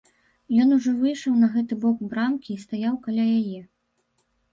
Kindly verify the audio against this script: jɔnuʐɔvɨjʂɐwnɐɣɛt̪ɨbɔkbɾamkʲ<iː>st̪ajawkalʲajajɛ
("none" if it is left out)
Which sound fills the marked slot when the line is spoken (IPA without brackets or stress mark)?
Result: iː